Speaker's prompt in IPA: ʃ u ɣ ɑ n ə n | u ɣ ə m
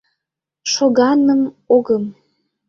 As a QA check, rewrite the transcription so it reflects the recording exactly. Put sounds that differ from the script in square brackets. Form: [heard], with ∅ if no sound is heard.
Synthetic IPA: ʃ [o] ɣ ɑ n ə [m] | [o] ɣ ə m